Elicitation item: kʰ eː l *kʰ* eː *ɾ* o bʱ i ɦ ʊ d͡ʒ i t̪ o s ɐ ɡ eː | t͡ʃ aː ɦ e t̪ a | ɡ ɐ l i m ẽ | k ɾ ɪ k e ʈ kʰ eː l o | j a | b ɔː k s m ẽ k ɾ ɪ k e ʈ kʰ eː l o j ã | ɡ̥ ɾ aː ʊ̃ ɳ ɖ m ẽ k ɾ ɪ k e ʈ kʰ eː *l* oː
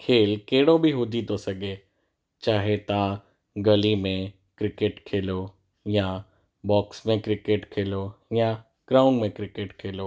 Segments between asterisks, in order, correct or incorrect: incorrect: k, incorrect: ɽ, correct

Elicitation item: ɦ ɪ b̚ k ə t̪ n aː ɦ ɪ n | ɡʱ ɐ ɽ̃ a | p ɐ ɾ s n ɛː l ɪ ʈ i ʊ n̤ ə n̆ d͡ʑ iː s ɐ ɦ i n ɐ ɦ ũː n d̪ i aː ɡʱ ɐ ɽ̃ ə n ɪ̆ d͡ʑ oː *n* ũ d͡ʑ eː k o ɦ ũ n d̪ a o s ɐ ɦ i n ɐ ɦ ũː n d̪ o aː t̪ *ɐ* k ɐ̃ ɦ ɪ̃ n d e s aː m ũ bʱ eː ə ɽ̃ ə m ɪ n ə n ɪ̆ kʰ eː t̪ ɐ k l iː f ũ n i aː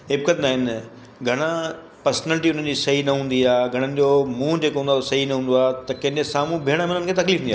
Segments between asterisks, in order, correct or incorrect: incorrect: m, correct

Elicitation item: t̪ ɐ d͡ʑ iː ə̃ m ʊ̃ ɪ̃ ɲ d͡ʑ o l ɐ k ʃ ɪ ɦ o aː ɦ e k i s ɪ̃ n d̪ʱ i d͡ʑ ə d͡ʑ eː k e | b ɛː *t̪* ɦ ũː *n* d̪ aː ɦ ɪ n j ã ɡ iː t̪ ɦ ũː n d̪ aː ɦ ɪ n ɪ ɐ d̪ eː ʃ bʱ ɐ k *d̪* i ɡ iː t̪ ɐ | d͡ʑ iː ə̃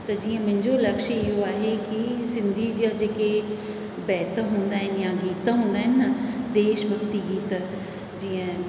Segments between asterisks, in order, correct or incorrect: correct, correct, incorrect: t̪

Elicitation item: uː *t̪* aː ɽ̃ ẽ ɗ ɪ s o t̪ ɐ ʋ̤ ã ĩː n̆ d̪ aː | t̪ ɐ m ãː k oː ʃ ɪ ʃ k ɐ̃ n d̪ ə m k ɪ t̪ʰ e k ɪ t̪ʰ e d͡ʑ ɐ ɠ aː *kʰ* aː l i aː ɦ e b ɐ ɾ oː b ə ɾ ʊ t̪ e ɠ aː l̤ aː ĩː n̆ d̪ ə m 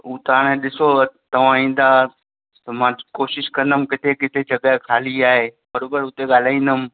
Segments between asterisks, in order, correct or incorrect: correct, correct

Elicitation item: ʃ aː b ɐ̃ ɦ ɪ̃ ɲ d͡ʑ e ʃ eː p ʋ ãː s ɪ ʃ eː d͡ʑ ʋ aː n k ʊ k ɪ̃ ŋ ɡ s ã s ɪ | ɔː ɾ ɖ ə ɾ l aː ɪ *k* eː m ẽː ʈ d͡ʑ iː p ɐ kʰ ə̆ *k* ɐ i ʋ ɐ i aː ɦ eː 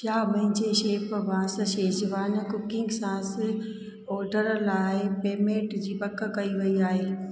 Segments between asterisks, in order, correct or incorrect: incorrect: p, correct

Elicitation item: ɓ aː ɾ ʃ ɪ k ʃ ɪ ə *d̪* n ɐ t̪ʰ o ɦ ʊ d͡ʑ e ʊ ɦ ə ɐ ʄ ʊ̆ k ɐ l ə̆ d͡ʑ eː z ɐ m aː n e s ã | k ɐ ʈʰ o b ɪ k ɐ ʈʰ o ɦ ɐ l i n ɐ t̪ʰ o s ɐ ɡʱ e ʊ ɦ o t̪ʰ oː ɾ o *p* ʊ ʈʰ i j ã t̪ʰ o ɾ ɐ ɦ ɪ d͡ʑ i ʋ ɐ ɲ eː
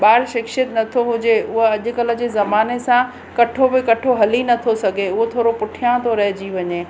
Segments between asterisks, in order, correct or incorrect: incorrect: t̪, correct

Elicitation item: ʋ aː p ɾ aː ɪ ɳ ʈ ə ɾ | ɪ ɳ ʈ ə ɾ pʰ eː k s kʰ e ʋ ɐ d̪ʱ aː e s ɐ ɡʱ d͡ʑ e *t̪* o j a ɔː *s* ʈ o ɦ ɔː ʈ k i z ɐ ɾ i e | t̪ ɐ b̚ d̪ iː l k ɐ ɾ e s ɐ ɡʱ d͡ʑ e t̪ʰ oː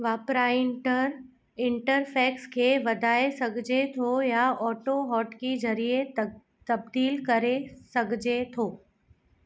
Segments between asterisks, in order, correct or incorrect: incorrect: t̪ʰ, incorrect: none

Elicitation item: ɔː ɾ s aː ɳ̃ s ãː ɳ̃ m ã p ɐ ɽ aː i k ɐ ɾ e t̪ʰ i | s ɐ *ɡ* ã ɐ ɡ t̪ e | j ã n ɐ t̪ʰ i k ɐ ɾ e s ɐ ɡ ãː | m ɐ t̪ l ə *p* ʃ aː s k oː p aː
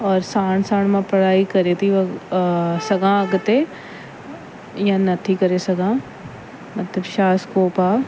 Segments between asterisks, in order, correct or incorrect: correct, incorrect: b

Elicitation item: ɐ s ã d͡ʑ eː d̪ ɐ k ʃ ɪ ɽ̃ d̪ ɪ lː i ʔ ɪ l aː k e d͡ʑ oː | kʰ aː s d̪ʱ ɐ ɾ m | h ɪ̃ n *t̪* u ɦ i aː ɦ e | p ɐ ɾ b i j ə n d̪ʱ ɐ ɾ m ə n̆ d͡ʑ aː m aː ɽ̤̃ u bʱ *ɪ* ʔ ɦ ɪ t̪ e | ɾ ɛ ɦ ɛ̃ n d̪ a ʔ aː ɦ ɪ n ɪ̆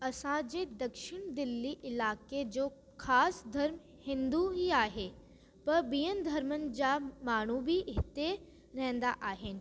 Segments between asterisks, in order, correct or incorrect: incorrect: d̪, incorrect: i

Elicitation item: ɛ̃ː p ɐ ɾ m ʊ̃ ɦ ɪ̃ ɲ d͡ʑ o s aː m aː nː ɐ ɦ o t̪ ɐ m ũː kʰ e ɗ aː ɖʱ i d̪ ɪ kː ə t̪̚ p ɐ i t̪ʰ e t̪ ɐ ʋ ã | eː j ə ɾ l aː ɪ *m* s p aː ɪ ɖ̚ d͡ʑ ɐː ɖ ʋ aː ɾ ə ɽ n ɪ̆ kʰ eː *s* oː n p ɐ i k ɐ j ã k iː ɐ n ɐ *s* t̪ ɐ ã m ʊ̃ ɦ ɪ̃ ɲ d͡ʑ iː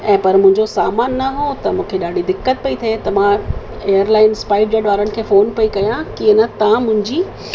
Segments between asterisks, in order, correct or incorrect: incorrect: n, incorrect: f, incorrect: none

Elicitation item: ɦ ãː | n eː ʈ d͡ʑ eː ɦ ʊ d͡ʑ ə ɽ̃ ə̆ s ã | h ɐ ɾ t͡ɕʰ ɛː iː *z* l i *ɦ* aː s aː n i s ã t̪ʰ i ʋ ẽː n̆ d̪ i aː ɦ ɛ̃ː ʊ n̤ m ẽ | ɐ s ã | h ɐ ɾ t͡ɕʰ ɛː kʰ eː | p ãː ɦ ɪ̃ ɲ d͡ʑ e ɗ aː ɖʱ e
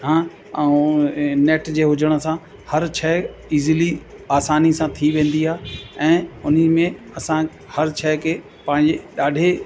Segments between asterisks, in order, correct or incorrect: correct, incorrect: none

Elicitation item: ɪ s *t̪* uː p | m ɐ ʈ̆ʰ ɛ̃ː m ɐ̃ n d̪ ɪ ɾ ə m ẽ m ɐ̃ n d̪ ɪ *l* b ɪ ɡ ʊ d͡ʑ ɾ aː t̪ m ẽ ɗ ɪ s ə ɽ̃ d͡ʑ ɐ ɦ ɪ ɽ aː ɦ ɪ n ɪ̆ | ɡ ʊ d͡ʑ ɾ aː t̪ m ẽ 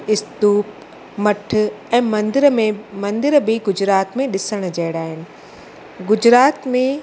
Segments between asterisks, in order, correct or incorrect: correct, incorrect: ɾ

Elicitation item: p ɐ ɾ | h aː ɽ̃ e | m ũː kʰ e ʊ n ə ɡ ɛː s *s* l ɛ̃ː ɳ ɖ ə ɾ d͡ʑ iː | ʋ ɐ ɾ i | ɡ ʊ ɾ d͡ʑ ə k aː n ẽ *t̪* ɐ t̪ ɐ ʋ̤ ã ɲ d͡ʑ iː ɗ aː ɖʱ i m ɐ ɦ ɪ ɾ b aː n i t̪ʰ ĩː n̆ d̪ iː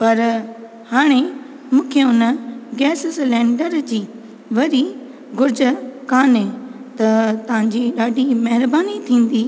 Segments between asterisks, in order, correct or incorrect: correct, correct

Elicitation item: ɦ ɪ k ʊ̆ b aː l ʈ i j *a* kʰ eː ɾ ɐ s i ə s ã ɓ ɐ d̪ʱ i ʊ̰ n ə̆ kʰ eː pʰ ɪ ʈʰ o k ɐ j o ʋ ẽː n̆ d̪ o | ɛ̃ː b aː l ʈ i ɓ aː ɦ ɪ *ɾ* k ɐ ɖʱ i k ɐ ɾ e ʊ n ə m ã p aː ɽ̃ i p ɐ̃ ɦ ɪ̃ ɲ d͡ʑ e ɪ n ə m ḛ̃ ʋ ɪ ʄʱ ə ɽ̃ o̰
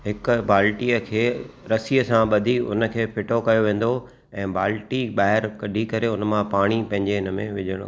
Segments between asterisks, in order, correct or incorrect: incorrect: ə, correct

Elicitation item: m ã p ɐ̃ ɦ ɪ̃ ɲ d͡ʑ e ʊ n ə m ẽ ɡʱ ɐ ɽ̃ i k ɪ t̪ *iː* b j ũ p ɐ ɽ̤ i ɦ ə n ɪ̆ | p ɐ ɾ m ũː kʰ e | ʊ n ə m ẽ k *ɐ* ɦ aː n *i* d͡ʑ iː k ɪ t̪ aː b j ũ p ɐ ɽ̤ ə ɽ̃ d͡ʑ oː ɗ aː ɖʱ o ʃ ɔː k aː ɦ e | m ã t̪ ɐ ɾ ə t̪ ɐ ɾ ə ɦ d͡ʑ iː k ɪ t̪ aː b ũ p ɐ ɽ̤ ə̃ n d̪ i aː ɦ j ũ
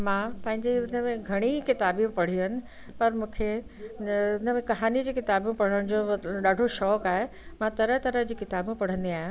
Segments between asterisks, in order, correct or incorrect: incorrect: aː, correct, correct

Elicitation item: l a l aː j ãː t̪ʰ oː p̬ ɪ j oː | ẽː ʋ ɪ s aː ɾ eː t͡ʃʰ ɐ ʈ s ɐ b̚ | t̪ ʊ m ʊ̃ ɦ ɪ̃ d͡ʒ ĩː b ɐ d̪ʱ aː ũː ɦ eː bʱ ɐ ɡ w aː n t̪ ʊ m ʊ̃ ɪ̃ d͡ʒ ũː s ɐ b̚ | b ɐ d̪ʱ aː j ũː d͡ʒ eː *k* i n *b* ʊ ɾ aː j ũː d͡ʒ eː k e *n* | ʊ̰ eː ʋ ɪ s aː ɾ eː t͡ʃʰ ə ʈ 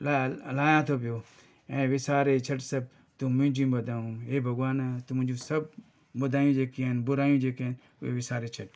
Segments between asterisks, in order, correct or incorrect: correct, correct, correct

